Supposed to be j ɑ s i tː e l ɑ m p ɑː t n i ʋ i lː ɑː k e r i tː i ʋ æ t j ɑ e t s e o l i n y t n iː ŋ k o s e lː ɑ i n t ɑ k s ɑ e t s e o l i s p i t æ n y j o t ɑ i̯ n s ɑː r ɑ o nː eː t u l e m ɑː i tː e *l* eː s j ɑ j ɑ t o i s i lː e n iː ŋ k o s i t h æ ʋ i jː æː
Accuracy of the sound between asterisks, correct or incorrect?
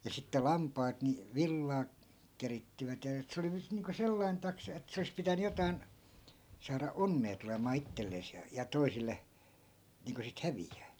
incorrect